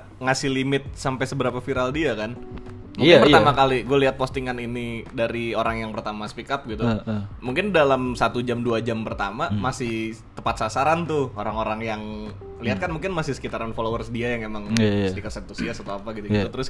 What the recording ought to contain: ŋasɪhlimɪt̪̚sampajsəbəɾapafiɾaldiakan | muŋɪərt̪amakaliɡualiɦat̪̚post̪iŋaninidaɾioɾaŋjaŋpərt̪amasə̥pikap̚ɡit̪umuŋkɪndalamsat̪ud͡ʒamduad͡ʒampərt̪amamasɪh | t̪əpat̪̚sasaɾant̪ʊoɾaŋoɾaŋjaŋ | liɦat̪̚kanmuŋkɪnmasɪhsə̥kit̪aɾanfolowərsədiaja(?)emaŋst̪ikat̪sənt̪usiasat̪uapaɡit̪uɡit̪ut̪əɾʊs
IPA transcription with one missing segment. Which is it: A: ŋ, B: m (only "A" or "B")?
A